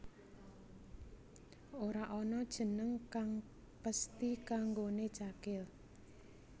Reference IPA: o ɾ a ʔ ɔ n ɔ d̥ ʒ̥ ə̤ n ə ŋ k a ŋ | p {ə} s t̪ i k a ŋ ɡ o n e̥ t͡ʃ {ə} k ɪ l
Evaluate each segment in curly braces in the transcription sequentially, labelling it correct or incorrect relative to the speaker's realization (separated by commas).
correct, incorrect